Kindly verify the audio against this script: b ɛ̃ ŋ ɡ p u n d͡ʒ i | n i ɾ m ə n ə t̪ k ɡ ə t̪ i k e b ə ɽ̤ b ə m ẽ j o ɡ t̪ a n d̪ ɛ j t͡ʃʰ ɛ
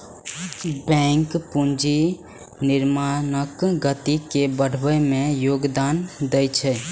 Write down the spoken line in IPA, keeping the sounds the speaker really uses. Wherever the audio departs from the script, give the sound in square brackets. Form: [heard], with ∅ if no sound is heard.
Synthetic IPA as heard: b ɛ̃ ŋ [k] p u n d͡ʒ i | n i ɾ m [a] n ə [∅] k ɡ ə t̪ i k e b ə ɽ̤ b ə m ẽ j o ɡ [d̪] a n d̪ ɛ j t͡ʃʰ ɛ